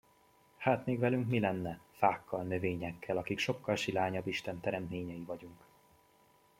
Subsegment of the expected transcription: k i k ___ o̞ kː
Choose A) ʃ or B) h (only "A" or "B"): A